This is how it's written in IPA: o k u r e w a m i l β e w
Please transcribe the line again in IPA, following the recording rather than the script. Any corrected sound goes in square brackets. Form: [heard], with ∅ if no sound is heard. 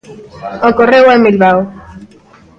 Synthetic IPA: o k [o] r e w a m i l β [a] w